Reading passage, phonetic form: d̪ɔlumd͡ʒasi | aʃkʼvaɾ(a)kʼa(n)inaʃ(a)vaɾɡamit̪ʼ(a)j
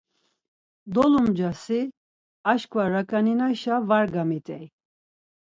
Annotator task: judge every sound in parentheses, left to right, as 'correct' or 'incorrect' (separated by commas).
correct, correct, correct, incorrect